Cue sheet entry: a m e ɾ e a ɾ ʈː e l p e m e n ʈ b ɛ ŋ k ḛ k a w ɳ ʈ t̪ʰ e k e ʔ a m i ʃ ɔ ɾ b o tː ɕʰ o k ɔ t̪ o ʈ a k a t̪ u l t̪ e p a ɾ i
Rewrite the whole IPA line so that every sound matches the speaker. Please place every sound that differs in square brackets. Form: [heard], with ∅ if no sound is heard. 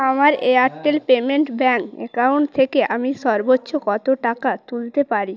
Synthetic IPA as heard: a m [a] ɾ e a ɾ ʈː e l p e m e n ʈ b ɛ ŋ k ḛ k a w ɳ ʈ t̪ʰ e k e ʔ a m i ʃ ɔ ɾ b o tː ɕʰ o k ɔ t̪ o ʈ a k a t̪ u l t̪ e p a ɾ i